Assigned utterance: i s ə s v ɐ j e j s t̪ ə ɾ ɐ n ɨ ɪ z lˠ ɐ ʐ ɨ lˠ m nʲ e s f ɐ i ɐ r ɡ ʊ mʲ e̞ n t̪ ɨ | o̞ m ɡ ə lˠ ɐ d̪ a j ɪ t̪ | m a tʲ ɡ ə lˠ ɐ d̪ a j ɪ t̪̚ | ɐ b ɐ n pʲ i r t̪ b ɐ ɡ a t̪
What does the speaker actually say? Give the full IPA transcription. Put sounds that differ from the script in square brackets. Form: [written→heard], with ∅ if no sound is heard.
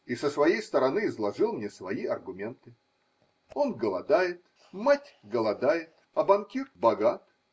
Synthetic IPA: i s ə s v ɐ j e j s t̪ ə ɾ ɐ n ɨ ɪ z lˠ ɐ ʐ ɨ lˠ m nʲ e s [f→v] ɐ i ɐ r ɡ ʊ mʲ e̞ n t̪ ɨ | o̞ [m→n] ɡ ə lˠ ɐ d̪ a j ɪ t̪ | m a tʲ ɡ ə lˠ ɐ d̪ a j ɪ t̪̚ | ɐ b ɐ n [pʲ→kʲ] i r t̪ b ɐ ɡ a t̪